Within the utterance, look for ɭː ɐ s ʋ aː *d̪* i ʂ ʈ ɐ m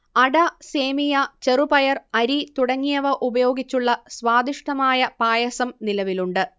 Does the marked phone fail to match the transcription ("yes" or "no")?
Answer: no